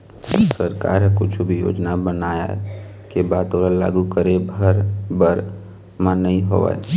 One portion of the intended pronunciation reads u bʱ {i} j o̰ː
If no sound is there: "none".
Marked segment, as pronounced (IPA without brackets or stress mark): i